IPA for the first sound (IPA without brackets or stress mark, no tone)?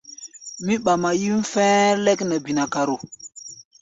m